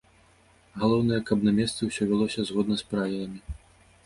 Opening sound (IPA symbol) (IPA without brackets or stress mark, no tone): ɣ